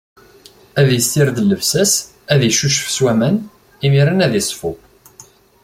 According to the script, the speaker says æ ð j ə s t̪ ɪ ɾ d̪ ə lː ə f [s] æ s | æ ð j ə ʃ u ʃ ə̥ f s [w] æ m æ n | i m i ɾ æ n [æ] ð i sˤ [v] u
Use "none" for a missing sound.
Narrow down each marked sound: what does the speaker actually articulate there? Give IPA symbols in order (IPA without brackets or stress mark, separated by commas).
s, w, æ, f